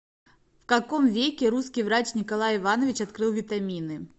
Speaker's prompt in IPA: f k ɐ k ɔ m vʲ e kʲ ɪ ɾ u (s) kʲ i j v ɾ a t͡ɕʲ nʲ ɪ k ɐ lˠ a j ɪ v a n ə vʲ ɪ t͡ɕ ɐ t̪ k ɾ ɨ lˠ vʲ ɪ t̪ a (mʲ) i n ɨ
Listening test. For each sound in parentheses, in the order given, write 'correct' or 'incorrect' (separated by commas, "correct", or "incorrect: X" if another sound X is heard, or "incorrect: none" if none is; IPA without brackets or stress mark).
correct, correct